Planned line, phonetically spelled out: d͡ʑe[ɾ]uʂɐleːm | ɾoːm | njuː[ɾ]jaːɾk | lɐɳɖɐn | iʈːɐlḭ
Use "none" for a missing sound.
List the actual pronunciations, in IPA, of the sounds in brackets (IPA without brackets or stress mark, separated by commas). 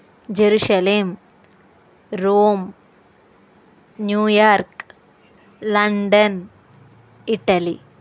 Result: ɾ, none